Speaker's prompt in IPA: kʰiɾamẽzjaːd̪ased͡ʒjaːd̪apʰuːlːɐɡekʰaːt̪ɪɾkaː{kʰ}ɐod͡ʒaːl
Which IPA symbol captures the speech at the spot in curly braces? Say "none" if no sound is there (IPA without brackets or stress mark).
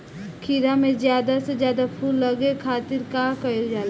k